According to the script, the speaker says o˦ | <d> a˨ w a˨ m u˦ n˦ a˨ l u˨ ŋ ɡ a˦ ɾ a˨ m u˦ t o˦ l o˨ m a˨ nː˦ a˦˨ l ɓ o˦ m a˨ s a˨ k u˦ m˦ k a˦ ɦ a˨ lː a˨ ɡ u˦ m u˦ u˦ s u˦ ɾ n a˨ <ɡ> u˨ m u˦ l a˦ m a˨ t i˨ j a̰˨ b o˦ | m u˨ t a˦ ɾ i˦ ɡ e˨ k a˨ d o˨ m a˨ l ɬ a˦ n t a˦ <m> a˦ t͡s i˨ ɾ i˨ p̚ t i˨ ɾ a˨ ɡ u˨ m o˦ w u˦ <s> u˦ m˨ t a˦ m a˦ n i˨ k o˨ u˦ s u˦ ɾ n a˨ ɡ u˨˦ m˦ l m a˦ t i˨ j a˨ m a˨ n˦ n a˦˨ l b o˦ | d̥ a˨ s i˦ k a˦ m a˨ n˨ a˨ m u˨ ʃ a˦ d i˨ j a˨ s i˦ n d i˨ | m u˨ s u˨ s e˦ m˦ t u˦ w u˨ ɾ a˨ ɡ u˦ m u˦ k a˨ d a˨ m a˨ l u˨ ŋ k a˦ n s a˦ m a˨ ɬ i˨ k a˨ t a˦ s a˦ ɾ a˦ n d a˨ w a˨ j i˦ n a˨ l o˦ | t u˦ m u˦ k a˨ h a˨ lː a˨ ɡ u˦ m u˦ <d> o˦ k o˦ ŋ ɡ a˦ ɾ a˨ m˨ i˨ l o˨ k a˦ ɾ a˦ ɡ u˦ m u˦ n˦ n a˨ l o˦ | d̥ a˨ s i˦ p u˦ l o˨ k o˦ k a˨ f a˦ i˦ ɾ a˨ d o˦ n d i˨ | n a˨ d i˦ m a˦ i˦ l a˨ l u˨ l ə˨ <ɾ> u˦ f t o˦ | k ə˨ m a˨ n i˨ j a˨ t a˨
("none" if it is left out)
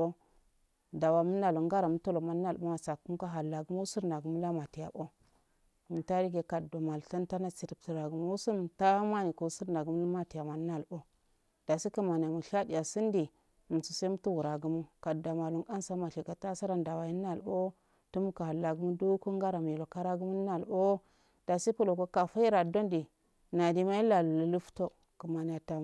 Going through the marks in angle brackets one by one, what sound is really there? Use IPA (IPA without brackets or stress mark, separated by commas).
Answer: d, ɡ, n, s, d, l